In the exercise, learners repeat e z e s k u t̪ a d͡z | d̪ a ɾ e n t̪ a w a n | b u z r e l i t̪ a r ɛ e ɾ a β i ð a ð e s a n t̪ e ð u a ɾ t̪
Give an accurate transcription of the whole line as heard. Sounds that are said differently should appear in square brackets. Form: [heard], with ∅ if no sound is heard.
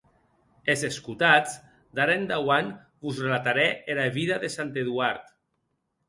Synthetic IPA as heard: e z e s k u t̪ a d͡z | d̪ a ɾ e n [d̪] a w a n | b u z r e l [a] t̪ a [ɾ] ɛ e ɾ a β i ð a ð e s a n t̪ e ð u a ɾ t̪